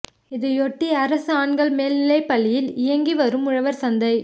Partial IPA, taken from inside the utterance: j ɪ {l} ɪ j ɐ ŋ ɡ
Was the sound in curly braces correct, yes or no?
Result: yes